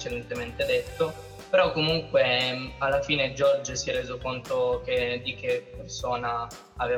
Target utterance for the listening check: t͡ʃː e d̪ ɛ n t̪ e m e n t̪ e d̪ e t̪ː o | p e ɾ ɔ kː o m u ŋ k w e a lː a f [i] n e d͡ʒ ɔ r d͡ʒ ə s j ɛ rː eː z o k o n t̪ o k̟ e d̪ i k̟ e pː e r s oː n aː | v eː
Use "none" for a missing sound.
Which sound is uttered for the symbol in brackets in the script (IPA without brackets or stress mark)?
iː